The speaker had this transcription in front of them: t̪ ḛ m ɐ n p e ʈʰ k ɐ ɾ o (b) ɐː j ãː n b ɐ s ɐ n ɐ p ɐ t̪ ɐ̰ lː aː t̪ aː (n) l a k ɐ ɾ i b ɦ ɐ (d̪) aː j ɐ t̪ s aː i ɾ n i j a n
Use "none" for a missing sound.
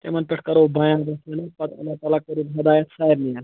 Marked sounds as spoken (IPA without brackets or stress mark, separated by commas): b, none, d̪